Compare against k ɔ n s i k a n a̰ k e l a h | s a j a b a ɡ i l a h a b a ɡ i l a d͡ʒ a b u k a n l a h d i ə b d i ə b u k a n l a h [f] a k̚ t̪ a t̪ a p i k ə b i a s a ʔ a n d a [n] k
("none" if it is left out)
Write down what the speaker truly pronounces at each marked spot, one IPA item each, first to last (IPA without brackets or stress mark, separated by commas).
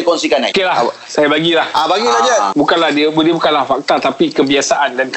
f, n